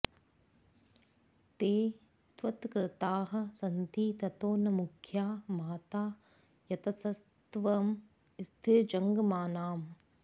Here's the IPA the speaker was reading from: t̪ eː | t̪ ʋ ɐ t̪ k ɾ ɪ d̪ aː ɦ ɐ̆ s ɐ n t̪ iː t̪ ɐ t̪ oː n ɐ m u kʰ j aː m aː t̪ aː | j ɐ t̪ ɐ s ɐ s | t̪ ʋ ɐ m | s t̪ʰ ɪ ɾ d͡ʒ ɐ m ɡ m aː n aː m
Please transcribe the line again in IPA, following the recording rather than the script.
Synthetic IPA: t̪ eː | t̪ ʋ ɐ t̪ k ɾ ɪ t̪ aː ɦ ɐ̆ s ɐ n t̪ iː t̪ ɐ t̪ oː n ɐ m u kʰ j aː m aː t̪ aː | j ɐ t̪ ɐ s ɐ s | t̪ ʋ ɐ m | s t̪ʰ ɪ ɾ d͡ʒ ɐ ŋ ɡ m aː n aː m